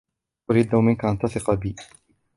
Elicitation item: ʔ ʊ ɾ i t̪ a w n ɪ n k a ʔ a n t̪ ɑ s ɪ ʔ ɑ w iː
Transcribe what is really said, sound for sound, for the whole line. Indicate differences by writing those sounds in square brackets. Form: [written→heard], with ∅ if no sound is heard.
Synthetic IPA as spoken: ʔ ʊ ɾ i [t̪→d̪] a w [n→m] ɪ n k a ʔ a n t̪ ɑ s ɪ [ʔ→q] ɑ [w→b] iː